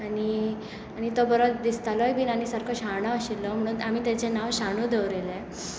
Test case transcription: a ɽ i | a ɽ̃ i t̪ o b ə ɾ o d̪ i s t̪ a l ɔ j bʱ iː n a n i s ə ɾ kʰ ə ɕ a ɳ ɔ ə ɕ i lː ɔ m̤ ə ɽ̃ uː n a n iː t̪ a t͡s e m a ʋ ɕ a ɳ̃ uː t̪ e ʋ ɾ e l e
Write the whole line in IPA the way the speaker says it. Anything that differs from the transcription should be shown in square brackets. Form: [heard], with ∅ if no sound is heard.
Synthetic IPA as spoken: a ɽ i | a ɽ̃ i t̪ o b ə ɾ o d̪ i s t̪ a l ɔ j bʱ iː n a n i s ə ɾ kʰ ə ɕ a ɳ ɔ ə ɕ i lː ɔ m̤ ə ɽ̃ uː n a [m] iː t̪ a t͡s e [n] a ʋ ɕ a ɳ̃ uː [d̪] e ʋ ɾ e l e